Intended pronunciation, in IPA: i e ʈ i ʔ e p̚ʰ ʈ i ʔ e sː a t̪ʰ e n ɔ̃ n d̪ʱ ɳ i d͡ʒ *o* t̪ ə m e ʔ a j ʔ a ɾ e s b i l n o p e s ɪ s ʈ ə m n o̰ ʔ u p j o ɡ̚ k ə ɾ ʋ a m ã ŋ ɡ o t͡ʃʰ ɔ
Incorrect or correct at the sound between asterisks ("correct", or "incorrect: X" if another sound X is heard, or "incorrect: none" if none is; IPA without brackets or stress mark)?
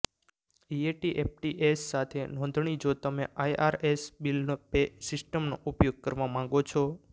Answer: correct